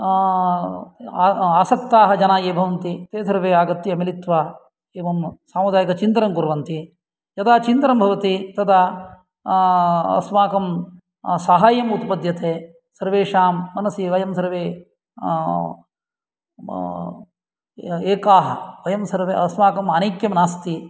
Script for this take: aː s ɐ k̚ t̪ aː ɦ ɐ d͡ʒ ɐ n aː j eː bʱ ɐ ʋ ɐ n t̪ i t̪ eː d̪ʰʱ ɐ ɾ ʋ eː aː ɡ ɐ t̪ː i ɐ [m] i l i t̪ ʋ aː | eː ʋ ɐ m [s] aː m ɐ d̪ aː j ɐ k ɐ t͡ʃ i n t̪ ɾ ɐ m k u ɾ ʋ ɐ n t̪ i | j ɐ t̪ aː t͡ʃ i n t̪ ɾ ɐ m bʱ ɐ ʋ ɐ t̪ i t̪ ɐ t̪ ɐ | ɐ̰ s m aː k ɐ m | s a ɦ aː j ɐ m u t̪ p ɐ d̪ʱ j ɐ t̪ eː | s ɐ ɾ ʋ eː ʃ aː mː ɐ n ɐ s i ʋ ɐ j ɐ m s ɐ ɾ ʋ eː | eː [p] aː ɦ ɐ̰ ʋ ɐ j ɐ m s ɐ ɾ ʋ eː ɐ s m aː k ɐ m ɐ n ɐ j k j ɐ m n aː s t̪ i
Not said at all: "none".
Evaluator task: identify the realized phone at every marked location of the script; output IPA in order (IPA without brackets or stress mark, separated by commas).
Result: m, s, k